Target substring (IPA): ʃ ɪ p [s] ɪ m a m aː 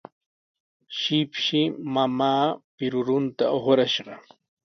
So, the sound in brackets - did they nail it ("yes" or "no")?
no